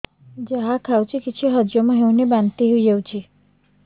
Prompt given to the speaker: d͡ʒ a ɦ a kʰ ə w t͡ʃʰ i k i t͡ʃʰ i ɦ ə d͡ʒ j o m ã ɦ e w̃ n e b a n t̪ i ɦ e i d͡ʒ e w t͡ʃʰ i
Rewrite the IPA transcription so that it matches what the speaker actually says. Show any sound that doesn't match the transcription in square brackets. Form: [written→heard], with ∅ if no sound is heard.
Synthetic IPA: d͡ʒ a ɦ a kʰ [ə→a] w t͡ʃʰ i k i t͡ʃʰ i ɦ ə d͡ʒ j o m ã ɦ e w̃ n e b a n t̪ i ɦ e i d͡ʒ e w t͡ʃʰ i

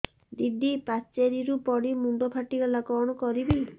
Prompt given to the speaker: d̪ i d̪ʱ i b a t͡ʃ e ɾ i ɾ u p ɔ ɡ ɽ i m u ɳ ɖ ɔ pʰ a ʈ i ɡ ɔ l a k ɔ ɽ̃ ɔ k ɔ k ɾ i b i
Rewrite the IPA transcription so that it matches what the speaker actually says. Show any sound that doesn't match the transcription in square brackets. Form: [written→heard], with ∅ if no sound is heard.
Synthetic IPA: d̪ i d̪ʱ i [b→p] a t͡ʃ e ɾ i ɾ u p ɔ [ɡ→∅] ɽ i m u ɳ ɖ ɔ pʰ a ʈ i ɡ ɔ l a k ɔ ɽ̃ ɔ k ɔ [k→∅] ɾ i b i

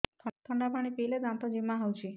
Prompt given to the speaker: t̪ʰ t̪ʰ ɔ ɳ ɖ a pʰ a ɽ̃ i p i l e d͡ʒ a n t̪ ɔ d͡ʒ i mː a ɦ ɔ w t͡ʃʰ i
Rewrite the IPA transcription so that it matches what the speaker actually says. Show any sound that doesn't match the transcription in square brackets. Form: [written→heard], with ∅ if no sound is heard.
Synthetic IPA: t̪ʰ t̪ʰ ɔ ɳ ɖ a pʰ a ɽ̃ i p i l e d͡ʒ a n t̪ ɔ d͡ʒ i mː a ɦ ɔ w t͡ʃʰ i

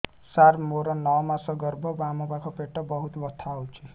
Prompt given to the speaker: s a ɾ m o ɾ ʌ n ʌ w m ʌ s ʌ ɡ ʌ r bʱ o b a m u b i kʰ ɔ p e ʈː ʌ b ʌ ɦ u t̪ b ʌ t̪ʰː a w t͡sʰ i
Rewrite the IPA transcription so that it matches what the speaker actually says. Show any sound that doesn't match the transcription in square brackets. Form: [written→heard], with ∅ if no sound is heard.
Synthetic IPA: s a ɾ m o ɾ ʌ n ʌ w m [ʌ→a] s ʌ ɡ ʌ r bʱ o b a m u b [i→a] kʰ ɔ p e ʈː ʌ b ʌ ɦ u t̪ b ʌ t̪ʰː a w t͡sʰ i

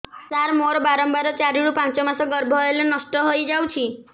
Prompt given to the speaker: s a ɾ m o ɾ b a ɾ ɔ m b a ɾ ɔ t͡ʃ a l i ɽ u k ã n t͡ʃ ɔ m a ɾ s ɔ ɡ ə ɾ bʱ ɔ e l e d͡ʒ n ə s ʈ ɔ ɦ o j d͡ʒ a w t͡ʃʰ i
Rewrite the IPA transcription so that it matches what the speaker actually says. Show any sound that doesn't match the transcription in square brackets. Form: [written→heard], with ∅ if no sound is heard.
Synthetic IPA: s a ɾ m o ɾ b a ɾ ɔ m b a ɾ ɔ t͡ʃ a [l→ɾ] i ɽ u [k→p] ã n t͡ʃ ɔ m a [ɾ→∅] s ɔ ɡ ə ɾ bʱ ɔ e l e [d͡ʒ→∅] n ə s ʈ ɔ ɦ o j d͡ʒ a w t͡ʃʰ i

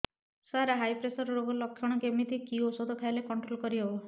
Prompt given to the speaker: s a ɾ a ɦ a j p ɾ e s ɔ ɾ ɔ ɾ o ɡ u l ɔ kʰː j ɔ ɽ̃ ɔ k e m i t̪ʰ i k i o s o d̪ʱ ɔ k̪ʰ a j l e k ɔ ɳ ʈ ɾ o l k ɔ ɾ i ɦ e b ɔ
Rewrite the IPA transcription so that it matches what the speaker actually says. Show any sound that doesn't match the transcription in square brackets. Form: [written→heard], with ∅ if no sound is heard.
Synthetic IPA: s a ɾ a ɦ a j p ɾ e s ɔ ɾ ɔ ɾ o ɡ [u→ɔ] l ɔ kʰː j ɔ ɽ̃ ɔ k e m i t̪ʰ i k i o s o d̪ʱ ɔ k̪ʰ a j l e k ɔ ɳ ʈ ɾ o l k ɔ ɾ i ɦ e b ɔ

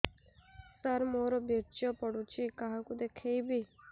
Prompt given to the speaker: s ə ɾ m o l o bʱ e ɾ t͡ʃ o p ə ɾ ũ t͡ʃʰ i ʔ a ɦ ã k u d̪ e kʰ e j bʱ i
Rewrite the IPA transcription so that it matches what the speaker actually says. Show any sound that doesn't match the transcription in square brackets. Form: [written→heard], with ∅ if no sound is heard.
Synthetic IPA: s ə ɾ m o [l→ɾ] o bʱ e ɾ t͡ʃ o p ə [ɾ→ɽ] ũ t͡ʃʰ i [ʔ→k] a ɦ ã k u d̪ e kʰ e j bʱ i

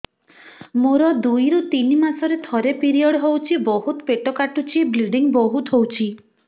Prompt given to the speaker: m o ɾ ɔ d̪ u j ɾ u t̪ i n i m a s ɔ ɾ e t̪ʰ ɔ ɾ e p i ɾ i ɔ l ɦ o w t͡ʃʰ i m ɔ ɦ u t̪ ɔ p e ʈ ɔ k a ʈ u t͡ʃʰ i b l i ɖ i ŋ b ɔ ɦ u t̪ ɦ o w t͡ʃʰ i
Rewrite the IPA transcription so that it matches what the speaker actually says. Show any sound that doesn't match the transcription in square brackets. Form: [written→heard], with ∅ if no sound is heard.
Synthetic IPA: m o ɾ ɔ d̪ u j ɾ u t̪ i n i m a s ɔ ɾ e t̪ʰ ɔ ɾ e p i ɾ i ɔ [l→ɽ] ɦ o w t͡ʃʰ i [m→b] ɔ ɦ u t̪ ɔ p e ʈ ɔ k a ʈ u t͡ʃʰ i b l i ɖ i ŋ b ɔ ɦ u t̪ ɦ o w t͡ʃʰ i

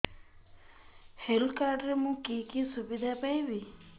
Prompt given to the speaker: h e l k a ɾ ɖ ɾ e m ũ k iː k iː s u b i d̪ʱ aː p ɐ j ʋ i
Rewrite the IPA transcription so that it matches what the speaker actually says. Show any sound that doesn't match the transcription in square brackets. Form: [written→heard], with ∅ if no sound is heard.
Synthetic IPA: h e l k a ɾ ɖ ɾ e m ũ k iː k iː s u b i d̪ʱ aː p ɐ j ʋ i

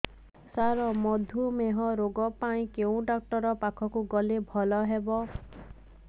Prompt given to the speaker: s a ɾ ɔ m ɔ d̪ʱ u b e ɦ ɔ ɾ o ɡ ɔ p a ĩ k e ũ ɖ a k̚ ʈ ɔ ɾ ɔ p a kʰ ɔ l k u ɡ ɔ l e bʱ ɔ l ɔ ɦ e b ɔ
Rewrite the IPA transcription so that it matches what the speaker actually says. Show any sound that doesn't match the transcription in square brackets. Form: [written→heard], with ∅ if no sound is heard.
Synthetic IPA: s a ɾ ɔ m ɔ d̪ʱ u [b→m] e ɦ ɔ ɾ o ɡ ɔ p a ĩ k e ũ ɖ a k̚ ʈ ɔ ɾ ɔ p a kʰ ɔ [l→∅] k u ɡ ɔ l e bʱ ɔ l ɔ ɦ e b ɔ

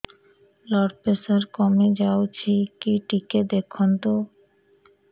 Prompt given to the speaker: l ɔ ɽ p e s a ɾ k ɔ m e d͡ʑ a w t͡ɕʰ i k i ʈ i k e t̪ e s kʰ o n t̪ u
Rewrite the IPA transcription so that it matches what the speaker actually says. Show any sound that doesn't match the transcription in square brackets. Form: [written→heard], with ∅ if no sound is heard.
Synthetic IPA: l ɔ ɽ p e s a ɾ k ɔ m e d͡ʑ a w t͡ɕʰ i k i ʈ i k e [t̪→d̪] e [s→∅] kʰ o n t̪ [u→o]

